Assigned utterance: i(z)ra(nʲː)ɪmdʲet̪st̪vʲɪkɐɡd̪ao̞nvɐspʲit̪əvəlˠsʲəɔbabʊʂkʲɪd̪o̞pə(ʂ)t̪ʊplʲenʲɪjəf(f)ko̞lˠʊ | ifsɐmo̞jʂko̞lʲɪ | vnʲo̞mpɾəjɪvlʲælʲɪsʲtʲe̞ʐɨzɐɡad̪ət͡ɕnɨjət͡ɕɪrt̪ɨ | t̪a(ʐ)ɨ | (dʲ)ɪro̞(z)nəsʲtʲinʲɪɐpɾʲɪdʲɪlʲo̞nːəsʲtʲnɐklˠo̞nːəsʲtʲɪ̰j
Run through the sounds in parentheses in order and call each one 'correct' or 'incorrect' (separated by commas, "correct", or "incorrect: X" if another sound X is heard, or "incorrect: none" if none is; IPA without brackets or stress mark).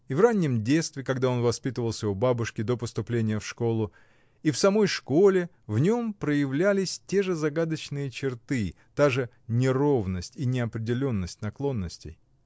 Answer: incorrect: v, correct, incorrect: s, incorrect: ʂ, correct, incorrect: nʲ, incorrect: v